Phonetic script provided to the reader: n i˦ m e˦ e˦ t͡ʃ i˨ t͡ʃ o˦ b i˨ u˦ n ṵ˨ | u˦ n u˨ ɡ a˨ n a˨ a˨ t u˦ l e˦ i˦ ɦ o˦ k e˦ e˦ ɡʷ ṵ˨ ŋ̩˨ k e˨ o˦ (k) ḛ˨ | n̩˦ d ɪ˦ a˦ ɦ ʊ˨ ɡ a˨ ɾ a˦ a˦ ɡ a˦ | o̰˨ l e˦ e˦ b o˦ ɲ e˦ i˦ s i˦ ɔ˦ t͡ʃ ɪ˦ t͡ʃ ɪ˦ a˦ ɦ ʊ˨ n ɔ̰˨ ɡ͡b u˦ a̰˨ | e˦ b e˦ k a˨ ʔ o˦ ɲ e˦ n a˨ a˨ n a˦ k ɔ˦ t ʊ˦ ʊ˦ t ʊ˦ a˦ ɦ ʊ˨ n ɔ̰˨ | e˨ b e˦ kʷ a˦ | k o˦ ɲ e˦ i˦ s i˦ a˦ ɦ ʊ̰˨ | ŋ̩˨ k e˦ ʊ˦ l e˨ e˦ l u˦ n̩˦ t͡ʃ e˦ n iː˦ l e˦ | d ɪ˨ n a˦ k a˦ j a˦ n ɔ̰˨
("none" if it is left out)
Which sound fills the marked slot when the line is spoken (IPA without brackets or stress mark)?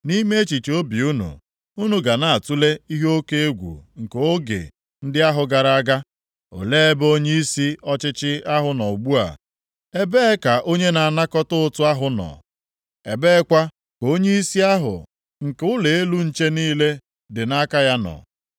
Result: ɡ